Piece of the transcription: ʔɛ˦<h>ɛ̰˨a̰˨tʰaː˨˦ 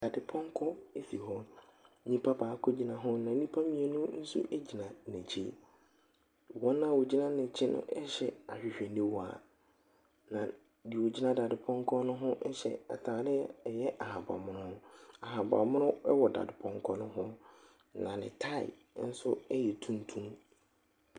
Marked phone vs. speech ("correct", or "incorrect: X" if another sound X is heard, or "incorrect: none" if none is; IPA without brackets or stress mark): incorrect: ɕ